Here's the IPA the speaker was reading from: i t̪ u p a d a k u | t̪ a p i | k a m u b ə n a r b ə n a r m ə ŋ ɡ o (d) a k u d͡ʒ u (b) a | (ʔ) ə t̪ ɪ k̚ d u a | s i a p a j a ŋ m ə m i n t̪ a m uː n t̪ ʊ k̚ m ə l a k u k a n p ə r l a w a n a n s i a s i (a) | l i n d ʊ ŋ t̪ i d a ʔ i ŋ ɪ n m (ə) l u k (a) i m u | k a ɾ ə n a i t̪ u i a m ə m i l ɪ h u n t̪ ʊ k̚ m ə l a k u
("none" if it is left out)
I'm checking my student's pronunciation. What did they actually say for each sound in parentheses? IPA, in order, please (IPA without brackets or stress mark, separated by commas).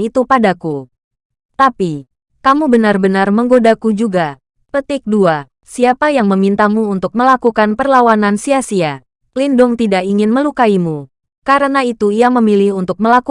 d, ɡ, p, a, ə, a